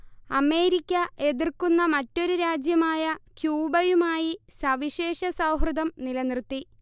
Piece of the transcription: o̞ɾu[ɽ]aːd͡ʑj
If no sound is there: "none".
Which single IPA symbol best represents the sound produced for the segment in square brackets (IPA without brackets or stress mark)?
ɾ